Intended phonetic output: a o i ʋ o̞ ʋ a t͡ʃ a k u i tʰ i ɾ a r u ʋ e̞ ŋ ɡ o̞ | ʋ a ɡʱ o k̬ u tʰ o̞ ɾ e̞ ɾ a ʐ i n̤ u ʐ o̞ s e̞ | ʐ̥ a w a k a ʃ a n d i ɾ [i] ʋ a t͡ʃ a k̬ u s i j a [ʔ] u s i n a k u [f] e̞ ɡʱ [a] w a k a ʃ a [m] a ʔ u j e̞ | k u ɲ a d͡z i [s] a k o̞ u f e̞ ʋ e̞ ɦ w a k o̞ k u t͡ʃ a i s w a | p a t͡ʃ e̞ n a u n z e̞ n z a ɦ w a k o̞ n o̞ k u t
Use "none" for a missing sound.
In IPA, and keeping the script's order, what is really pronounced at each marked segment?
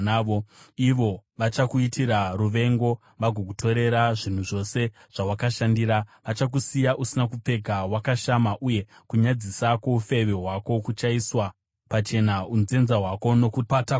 a, ʔ, p͡f, a, m, s

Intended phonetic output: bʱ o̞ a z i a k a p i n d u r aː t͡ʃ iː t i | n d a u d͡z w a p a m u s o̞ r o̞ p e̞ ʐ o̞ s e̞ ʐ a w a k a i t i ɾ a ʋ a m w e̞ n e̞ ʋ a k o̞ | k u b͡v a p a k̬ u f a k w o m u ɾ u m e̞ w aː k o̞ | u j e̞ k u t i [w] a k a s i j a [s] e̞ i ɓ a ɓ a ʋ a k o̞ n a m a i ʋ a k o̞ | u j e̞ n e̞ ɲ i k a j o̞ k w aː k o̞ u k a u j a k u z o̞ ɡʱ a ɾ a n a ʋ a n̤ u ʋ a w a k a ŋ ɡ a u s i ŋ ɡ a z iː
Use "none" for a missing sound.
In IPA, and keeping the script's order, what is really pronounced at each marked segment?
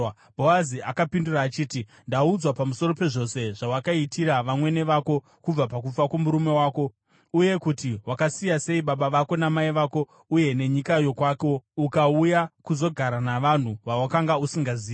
w, s

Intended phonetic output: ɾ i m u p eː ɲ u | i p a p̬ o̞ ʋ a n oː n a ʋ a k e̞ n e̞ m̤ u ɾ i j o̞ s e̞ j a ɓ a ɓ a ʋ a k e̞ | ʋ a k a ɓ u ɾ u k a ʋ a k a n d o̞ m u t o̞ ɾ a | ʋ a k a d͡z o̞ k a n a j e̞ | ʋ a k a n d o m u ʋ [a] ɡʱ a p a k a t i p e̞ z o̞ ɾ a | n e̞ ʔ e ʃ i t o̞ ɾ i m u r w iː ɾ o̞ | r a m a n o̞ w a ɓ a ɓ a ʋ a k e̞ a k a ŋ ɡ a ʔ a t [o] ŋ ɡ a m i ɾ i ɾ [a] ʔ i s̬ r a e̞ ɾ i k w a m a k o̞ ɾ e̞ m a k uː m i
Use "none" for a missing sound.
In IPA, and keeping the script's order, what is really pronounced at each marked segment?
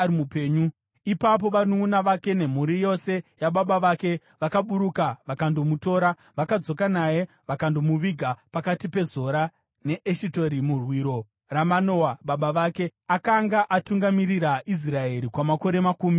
i, u, a

